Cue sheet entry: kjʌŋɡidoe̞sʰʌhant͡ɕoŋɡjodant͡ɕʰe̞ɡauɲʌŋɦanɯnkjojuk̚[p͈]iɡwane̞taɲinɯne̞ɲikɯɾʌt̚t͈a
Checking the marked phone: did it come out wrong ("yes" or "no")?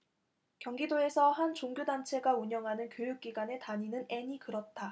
yes